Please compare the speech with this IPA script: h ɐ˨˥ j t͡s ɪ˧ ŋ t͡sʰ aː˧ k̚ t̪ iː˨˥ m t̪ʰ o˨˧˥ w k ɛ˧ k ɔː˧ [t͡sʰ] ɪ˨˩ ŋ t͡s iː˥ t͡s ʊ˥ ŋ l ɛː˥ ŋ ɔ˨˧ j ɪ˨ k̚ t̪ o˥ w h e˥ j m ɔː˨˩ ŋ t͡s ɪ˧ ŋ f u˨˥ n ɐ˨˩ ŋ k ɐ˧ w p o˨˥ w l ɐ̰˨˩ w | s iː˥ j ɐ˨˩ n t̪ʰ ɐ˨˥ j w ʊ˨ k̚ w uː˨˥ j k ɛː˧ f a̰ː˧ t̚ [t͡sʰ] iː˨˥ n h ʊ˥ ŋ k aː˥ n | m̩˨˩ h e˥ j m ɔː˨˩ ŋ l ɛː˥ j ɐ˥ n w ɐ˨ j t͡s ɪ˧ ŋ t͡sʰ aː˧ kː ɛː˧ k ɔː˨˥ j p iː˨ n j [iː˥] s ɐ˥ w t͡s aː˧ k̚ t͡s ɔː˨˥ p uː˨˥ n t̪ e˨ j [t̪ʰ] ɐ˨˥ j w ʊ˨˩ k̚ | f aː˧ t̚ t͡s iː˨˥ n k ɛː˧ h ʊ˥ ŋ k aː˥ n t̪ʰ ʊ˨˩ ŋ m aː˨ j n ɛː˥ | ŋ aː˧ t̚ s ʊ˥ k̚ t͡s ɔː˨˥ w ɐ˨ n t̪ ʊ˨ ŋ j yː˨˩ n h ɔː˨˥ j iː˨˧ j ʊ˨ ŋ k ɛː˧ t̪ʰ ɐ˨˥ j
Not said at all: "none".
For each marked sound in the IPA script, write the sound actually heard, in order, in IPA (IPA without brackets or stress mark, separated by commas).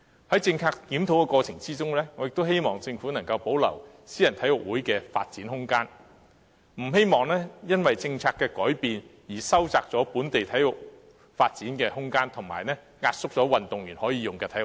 t͡sʰ, t͡s, iː˨˩, t̪ʰ